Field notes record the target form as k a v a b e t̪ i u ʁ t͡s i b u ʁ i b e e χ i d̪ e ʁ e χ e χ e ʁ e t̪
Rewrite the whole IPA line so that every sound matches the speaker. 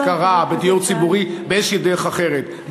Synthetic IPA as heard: k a ʁ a b e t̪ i u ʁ t͡s i b u ʁ i b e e ʃ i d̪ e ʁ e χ a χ e ʁ e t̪